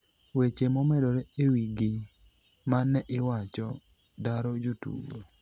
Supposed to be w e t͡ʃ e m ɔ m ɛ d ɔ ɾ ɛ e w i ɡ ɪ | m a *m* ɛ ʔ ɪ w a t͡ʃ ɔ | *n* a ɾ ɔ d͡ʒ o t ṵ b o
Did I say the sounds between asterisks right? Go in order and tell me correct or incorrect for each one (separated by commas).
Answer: incorrect, incorrect